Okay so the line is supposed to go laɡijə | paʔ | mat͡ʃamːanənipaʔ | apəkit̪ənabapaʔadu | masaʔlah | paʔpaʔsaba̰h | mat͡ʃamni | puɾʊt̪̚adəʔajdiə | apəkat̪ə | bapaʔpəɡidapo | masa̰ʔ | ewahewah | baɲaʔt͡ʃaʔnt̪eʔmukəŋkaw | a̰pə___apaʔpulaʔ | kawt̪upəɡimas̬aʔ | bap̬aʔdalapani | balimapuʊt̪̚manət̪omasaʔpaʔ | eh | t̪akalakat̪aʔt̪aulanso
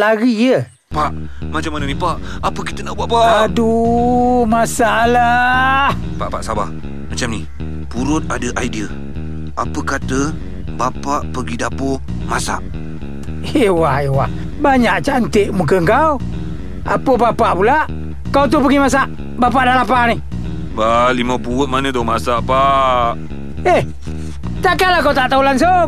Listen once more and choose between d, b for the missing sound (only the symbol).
b